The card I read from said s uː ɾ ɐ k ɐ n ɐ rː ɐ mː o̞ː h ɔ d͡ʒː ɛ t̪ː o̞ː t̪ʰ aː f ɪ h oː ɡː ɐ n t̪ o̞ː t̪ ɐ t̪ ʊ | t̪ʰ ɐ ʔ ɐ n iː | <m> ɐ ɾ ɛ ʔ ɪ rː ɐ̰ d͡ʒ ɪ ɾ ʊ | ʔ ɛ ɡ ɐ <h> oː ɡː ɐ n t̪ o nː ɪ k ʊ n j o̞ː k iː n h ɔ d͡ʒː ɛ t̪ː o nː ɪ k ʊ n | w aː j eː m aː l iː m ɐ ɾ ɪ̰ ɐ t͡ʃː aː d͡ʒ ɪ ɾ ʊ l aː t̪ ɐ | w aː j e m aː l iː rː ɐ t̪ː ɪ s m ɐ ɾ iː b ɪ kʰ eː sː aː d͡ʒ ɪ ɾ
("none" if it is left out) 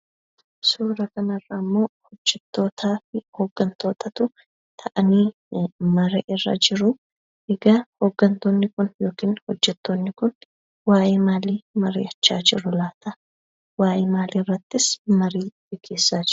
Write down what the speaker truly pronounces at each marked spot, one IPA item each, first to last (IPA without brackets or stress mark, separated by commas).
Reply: m, h